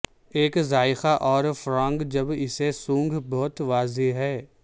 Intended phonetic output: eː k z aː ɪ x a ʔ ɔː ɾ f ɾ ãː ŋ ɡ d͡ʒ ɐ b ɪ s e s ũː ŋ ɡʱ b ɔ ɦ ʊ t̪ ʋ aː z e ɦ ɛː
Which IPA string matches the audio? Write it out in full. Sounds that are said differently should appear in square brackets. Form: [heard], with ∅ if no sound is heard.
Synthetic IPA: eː k z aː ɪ x a ʔ ɔː ɾ f ɾ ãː ŋ ɡ d͡ʒ ɐ b ɪ s e s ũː ŋ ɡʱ b ɔ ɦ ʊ t̪ ʋ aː z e ɦ ɛː